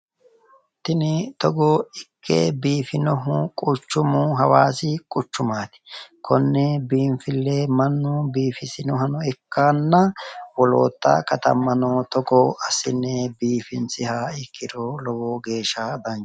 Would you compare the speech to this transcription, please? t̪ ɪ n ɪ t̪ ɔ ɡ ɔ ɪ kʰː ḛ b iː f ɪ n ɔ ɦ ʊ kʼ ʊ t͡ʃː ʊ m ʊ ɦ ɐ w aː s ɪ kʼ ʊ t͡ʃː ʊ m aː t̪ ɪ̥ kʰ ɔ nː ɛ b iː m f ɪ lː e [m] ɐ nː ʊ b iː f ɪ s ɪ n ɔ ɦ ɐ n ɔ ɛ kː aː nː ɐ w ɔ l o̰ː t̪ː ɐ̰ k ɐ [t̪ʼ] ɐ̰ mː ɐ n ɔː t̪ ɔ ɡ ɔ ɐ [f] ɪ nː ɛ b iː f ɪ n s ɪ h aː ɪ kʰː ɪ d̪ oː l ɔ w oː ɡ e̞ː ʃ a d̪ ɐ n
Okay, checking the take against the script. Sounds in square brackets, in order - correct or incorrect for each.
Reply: correct, incorrect: t̪, incorrect: s

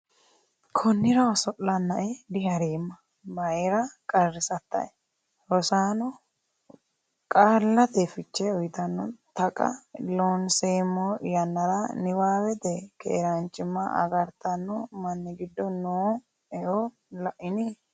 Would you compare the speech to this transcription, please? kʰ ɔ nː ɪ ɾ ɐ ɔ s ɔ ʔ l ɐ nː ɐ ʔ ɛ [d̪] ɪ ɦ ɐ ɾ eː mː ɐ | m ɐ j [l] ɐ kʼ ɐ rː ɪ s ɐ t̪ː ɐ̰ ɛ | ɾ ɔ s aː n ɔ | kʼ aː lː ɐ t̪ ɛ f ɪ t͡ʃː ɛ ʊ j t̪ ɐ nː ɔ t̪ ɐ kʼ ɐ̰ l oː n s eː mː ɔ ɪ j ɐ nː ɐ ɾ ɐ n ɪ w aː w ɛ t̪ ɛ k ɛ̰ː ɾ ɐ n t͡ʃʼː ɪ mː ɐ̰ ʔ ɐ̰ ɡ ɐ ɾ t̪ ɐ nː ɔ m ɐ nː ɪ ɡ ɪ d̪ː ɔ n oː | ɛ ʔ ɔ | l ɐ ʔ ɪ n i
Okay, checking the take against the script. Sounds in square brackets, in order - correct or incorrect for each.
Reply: correct, incorrect: ɾ

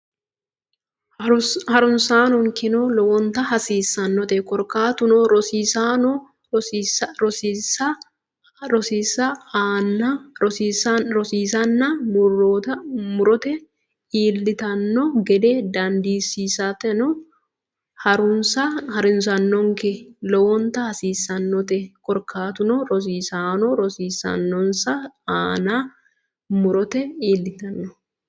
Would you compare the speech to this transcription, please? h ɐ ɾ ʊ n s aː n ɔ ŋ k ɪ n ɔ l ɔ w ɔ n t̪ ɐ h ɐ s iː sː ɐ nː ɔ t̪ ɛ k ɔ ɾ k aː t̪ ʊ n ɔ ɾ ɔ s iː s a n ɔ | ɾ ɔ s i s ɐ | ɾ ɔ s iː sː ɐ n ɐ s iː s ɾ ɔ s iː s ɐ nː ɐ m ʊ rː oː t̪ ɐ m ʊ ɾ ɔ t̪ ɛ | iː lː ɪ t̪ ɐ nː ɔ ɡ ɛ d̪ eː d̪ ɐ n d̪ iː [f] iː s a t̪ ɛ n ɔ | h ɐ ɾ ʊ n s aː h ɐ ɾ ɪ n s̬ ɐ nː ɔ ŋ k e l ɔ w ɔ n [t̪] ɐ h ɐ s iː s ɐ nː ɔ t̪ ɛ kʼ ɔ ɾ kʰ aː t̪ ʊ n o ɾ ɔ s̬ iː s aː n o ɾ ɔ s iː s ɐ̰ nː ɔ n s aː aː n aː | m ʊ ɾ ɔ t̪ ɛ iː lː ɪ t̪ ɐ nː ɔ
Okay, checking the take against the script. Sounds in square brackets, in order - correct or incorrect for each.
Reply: incorrect: s, correct

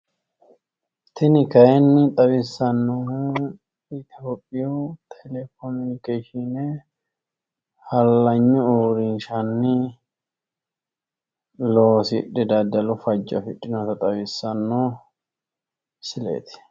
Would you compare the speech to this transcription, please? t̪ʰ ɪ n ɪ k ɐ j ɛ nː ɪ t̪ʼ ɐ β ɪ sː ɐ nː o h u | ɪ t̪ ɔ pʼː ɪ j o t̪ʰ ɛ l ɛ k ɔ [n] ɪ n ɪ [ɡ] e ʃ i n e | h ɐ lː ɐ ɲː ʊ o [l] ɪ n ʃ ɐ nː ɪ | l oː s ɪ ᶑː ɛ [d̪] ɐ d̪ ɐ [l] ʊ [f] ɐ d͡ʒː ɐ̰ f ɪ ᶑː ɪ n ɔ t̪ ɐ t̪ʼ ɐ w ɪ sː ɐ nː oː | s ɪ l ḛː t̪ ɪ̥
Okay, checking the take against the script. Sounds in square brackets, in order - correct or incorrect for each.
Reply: incorrect: m, incorrect: k, incorrect: ɾ, correct, correct, correct

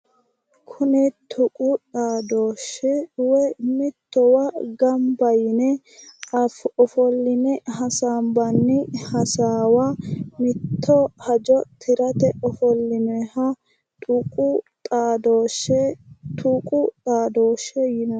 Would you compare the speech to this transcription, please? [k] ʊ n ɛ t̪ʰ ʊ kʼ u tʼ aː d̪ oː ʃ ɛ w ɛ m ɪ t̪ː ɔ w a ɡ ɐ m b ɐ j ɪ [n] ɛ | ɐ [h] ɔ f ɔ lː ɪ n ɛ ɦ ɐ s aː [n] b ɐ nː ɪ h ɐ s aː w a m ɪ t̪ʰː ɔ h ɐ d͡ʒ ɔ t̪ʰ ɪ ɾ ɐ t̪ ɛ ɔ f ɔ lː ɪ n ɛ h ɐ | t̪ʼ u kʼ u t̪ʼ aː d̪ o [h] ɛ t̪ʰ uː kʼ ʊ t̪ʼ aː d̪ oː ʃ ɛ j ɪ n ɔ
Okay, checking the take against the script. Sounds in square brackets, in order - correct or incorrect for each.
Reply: incorrect: kʰ, correct, incorrect: f, incorrect: m, incorrect: ʃ

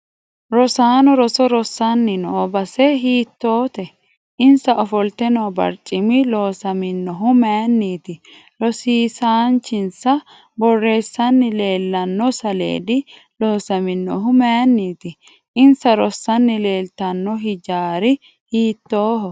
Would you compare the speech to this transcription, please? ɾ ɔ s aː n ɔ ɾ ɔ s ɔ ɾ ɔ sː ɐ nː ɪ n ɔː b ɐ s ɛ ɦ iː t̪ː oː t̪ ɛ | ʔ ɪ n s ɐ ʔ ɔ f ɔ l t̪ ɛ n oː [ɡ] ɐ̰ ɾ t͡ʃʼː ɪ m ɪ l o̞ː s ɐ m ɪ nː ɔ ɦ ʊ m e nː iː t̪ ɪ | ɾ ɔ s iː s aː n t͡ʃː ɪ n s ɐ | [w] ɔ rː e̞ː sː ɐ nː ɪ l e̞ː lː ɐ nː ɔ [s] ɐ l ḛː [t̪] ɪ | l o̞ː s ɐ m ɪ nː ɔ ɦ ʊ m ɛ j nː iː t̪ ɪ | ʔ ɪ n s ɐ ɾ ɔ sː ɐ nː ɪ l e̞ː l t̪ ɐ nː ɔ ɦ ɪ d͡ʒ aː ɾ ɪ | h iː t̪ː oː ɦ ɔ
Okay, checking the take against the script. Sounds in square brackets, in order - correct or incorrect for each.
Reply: incorrect: b, incorrect: b, correct, incorrect: d̪

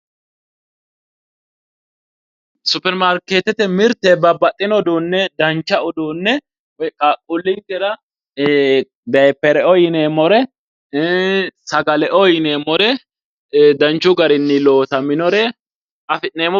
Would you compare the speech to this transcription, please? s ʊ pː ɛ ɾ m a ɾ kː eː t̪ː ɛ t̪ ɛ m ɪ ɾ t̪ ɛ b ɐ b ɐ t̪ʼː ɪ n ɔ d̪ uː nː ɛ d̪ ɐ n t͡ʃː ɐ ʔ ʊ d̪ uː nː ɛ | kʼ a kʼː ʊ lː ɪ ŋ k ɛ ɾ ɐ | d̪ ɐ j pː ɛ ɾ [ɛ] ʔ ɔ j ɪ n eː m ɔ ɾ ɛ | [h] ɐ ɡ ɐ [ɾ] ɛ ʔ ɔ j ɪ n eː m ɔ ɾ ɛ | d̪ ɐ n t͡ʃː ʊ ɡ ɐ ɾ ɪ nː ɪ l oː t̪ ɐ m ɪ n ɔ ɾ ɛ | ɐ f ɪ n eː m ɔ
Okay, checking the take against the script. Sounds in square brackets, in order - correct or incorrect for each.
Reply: correct, incorrect: s, incorrect: l

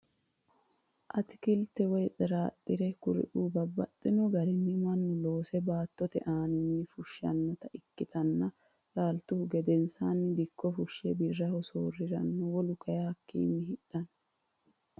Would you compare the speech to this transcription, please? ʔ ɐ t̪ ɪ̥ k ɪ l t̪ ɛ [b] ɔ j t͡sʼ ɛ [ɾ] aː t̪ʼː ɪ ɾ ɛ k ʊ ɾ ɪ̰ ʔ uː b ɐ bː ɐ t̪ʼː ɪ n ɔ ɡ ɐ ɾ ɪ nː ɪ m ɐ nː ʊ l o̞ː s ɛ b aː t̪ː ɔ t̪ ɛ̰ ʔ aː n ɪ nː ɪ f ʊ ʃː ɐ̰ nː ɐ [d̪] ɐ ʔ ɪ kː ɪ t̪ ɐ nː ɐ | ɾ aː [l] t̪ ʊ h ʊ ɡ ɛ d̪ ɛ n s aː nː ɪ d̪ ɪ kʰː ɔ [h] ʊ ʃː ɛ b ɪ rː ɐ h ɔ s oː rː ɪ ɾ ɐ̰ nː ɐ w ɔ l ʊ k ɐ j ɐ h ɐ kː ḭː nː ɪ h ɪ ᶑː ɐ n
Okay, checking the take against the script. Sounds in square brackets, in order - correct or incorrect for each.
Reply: incorrect: w, correct, incorrect: t̪, correct, incorrect: f

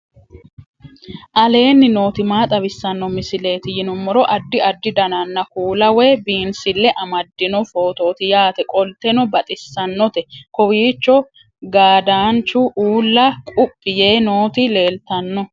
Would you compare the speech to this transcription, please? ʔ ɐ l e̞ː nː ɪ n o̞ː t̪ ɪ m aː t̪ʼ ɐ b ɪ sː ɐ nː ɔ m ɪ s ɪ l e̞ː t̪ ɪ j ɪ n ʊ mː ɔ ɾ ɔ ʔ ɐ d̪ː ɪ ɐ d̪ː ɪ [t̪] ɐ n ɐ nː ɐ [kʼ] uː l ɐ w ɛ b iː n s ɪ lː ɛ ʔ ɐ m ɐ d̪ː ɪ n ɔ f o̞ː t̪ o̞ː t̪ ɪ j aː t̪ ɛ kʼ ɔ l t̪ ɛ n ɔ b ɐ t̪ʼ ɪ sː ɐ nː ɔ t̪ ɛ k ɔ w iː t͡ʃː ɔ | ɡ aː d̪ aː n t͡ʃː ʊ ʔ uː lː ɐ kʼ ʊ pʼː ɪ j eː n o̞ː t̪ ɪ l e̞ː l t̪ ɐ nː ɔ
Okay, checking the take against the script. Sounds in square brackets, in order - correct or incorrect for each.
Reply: incorrect: d̪, incorrect: k

